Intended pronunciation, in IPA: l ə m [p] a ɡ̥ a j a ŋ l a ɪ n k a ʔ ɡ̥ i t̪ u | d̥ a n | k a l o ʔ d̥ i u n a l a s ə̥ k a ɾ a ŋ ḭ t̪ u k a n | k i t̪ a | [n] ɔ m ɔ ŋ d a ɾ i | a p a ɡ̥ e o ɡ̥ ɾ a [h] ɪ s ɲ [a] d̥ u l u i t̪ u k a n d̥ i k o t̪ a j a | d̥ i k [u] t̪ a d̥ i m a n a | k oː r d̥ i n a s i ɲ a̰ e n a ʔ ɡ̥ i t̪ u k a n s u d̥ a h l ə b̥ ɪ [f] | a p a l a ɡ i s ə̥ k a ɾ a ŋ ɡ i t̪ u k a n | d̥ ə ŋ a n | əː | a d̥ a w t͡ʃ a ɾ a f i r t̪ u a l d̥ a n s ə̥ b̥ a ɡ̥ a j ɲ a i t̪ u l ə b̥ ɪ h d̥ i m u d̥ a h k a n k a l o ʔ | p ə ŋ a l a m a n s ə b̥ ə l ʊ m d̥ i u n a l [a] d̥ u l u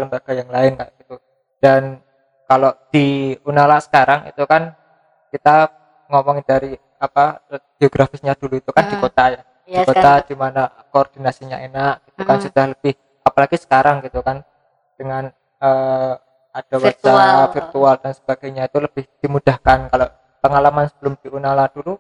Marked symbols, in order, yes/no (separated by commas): no, no, no, yes, no, no, yes